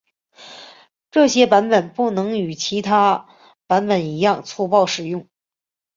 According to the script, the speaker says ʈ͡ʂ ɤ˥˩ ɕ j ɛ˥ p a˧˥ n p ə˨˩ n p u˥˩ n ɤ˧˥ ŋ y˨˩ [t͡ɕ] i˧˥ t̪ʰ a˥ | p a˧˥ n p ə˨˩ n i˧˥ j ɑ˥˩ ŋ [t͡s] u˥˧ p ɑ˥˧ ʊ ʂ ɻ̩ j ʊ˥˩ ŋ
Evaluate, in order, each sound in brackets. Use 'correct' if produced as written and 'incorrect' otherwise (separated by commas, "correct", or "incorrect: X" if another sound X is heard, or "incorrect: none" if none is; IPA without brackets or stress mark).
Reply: incorrect: t͡ɕʰ, incorrect: t͡sʰ